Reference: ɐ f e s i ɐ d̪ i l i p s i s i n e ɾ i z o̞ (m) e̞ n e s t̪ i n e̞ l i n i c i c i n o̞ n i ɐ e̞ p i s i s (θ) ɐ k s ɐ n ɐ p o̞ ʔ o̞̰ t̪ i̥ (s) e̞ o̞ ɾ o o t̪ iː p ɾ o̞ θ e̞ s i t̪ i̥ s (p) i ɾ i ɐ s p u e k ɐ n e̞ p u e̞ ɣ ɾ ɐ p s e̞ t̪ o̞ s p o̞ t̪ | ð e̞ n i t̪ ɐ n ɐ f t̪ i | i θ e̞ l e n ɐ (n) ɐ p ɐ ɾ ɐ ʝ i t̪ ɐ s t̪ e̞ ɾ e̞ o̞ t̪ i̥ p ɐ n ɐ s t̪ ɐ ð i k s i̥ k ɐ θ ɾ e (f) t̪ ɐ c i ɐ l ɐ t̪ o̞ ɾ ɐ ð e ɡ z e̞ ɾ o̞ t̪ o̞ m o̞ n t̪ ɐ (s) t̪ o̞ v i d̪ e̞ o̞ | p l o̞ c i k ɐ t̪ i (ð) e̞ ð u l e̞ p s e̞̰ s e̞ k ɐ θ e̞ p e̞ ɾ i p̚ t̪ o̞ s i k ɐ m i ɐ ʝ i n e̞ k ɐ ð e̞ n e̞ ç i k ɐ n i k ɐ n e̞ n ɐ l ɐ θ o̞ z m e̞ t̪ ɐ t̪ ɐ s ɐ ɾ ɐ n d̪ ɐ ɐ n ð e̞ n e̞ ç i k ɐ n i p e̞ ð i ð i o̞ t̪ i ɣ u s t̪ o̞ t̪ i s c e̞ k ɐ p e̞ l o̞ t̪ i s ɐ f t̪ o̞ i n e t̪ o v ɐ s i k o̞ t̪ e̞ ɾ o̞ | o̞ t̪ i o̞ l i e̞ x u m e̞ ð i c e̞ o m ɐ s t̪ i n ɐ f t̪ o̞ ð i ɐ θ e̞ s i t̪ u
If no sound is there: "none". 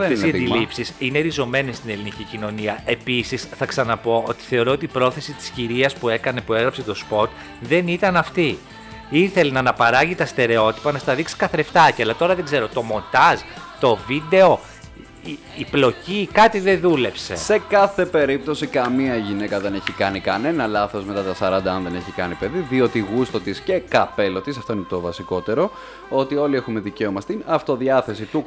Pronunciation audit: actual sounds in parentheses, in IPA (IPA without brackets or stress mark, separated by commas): m, θ, θ, c, n, f, z, ð